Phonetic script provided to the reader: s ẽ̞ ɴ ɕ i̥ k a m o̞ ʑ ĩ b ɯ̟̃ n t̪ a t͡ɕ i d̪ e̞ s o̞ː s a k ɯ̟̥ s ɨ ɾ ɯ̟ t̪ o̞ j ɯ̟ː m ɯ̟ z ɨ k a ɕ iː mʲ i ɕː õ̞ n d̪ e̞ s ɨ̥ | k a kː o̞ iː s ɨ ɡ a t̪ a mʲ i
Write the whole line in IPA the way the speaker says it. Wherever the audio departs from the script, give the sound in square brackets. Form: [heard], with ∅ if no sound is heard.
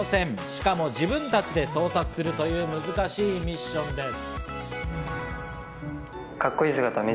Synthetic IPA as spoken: s ẽ̞ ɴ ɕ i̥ k a m o̞ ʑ [i] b ɯ̟̃ n t̪ a t͡ɕ i d̪ e̞ s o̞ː s a k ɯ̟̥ s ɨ ɾ ɯ̟ t̪ o̞ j ɯ̟ː m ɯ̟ z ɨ k a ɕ iː mʲ i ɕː õ̞ n d̪ e̞ s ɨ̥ | k a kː o̞ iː s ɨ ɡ a t̪ a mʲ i